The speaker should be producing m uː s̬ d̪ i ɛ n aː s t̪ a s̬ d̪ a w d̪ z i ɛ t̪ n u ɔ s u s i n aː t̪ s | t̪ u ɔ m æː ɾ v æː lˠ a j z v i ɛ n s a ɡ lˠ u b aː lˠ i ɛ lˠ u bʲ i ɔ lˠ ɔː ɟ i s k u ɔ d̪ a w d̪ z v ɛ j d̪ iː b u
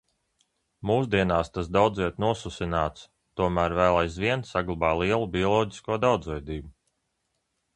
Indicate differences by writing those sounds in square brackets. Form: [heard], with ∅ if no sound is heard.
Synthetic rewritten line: m uː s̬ d̪ i ɛ n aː s t̪ a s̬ d̪ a w d̪ z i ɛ t̪ n u ɔ s u s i n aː t̪ s | t̪ u ɔ m æː ɾ v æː lˠ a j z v i ɛ n s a ɡ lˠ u b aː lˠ i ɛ lˠ u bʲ i ɔ lˠ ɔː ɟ i s k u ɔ d̪ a w d̪ z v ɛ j d̪ iː b u